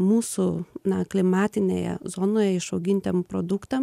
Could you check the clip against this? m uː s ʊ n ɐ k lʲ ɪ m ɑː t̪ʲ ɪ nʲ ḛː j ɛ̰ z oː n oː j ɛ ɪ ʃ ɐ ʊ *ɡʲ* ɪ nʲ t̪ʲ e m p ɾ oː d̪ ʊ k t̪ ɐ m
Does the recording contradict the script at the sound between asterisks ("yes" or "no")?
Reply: no